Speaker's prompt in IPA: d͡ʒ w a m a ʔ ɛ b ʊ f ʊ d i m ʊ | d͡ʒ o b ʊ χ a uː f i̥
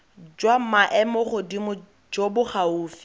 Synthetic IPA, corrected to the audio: d͡ʒ w a m a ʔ ɛ m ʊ χ ʊ d i m ʊ | d͡ʒ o b ʊ χ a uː f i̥

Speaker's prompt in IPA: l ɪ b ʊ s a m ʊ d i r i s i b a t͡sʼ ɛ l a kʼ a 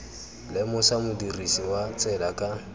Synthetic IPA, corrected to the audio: l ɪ m ʊ s a m ʊ d i r i s i w a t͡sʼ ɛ l a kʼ a

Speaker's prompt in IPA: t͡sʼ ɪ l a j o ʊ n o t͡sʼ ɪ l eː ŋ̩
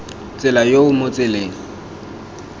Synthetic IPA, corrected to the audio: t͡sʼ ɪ l a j o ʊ m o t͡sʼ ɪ l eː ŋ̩

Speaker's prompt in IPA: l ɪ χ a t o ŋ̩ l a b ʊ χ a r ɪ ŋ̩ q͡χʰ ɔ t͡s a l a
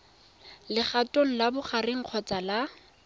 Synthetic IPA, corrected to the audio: l ɪ χ a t o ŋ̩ l a b ʊ χ a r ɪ ŋ̩ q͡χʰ ɔ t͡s a l a

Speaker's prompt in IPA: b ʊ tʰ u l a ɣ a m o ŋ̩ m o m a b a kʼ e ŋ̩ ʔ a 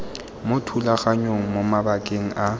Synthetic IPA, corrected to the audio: m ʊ tʰ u l a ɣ a ɲ o ŋ̩ m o m a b a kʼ e ŋ̩ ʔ a

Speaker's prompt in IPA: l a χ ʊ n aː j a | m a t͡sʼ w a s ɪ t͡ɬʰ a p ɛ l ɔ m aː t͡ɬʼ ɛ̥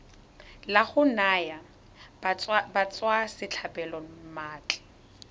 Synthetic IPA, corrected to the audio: l a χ ʊ n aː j a | b a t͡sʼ w a s ɪ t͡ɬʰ a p ɛ l ɔ m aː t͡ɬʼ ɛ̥

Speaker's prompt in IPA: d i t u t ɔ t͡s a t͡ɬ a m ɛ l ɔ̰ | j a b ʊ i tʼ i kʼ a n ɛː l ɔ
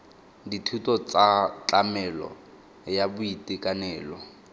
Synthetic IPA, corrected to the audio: d i tʰ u t ɔ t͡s a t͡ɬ a m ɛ l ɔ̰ | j a b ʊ i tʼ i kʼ a n ɛː l ɔ

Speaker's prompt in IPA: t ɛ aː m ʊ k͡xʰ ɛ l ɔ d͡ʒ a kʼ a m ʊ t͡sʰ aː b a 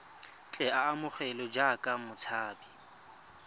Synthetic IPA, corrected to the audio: t͡ɬʼ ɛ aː m ʊ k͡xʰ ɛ l ɔ d͡ʒ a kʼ a m ʊ t͡sʰ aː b i

